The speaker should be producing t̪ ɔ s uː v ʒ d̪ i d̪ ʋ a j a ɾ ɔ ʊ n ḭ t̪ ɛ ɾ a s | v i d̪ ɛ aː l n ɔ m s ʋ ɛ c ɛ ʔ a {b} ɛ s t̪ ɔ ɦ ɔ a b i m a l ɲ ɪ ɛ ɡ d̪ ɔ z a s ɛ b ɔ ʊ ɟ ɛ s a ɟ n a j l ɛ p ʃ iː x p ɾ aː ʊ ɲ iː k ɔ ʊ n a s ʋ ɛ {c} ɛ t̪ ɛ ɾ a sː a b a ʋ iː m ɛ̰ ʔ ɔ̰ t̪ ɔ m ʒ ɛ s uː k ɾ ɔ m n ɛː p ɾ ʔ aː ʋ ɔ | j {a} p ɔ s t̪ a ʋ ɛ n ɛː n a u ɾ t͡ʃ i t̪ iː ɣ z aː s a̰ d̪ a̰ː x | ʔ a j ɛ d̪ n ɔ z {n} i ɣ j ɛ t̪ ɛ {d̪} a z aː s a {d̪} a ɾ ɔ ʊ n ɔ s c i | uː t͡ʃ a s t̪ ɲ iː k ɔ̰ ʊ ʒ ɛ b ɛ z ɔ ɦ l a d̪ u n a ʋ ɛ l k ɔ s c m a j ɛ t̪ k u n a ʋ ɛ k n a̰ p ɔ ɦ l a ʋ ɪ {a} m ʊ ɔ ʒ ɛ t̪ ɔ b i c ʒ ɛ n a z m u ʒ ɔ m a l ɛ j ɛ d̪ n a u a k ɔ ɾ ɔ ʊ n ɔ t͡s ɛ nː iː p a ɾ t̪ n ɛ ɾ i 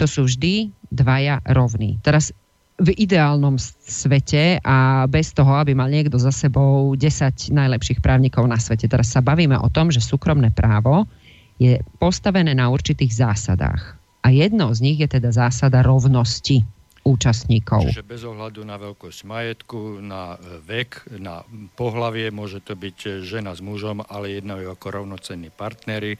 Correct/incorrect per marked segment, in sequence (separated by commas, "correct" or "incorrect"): correct, correct, incorrect, incorrect, correct, correct, incorrect